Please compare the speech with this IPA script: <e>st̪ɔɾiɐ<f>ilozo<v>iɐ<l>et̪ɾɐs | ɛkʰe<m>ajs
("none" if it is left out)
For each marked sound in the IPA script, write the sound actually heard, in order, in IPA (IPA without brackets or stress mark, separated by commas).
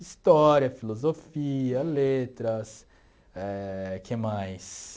i, f, f, l, m